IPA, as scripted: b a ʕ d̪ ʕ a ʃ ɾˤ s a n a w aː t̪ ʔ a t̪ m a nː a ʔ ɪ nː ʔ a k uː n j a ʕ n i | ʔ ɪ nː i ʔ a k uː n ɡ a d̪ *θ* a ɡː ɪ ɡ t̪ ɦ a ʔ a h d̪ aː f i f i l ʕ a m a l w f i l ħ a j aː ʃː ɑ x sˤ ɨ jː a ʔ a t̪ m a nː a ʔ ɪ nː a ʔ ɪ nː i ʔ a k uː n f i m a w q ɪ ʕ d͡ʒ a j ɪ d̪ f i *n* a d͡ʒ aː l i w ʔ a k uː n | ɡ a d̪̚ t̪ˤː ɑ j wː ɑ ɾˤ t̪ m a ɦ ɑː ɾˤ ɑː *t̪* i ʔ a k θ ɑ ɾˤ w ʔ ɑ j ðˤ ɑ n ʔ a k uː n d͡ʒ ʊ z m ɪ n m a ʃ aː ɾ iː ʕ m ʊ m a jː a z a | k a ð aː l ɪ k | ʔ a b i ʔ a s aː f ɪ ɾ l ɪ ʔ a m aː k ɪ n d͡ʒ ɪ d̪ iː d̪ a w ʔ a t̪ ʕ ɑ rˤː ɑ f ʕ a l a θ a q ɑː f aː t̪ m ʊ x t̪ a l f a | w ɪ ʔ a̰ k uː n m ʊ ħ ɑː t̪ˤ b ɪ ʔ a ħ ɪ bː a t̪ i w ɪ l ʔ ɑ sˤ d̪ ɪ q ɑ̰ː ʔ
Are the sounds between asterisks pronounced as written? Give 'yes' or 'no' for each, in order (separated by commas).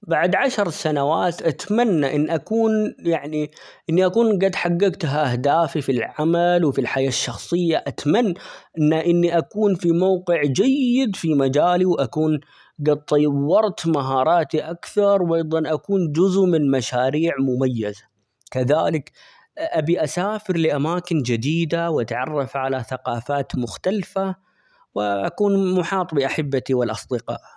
no, no, yes